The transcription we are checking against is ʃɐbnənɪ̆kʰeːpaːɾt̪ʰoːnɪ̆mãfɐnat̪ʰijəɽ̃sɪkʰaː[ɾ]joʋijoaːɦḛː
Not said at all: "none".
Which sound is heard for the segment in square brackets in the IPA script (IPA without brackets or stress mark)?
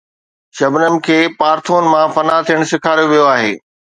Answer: ɾ